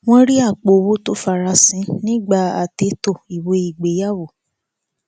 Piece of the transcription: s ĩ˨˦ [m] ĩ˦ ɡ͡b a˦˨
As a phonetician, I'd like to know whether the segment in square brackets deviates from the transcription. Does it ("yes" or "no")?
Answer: yes